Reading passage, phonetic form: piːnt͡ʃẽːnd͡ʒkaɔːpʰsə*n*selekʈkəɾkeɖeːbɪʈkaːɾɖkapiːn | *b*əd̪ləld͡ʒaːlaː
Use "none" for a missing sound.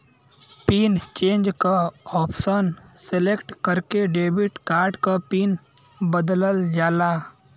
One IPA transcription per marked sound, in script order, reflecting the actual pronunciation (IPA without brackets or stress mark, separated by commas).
n, b